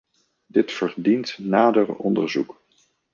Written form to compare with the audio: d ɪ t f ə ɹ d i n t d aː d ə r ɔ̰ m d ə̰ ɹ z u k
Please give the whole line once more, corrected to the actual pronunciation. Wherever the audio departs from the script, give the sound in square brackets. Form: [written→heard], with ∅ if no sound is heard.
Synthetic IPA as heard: d ɪ t f ə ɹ d i n t [d→n] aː d ə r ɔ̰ [m→n] d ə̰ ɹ z u k